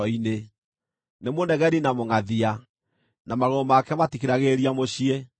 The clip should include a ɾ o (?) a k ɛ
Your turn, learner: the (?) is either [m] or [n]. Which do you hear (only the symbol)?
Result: m